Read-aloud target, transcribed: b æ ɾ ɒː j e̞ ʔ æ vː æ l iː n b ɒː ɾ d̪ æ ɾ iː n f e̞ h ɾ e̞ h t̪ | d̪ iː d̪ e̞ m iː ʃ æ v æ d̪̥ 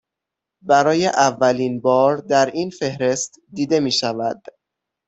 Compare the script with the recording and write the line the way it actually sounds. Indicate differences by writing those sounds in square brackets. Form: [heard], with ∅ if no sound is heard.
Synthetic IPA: b æ ɾ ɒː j e̞ ʔ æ vː æ l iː n b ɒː ɾ d̪ æ ɾ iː n f e̞ h ɾ e̞ [s] t̪ | d̪ iː d̪ e̞ m iː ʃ æ v æ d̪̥